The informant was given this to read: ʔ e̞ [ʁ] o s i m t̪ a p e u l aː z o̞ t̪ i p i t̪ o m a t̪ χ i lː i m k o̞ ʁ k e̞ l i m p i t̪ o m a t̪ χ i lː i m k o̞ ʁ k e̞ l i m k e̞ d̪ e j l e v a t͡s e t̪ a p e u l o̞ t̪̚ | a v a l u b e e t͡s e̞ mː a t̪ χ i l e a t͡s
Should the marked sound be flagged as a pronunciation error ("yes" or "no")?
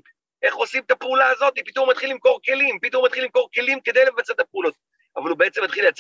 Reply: yes